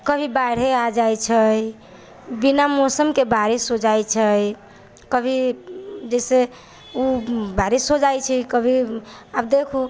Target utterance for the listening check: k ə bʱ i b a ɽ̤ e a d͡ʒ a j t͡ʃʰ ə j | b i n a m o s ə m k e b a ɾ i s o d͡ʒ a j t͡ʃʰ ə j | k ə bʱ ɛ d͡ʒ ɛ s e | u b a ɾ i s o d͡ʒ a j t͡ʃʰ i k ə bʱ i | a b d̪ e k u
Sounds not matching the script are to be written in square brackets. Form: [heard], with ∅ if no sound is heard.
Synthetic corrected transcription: k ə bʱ i b a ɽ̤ e a d͡ʒ a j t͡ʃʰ ə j | b i n a m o s ə m k e b a ɾ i s o d͡ʒ a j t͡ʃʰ ə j | k ə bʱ [i] d͡ʒ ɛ s e | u b a ɾ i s o d͡ʒ a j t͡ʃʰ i k ə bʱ i | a b d̪ e [kʰ] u